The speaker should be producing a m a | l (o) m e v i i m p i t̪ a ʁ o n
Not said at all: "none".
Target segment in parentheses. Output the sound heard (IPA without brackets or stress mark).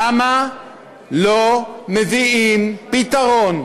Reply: o